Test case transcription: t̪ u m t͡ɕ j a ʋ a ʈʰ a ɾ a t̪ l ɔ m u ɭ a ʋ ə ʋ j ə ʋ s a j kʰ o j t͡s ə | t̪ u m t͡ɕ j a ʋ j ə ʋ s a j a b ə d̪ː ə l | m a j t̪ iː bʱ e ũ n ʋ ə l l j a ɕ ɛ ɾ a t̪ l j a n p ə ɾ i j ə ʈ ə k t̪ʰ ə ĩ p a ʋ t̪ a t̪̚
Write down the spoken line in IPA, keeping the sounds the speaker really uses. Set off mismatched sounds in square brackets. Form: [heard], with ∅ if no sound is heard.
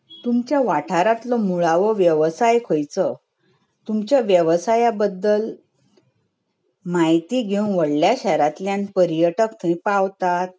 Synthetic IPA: t̪ u m t͡ɕ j a ʋ a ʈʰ a ɾ a t̪ l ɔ m u ɭ a ʋ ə ʋ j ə ʋ s a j kʰ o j t͡s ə | t̪ u m t͡ɕ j a ʋ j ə ʋ s a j a b ə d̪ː ə l | m a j t̪ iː [ɡʱ] e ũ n ʋ ə [ɽ] l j a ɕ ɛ ɾ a t̪ l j a n p ə ɾ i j ə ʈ ə k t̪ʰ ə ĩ p a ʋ t̪ a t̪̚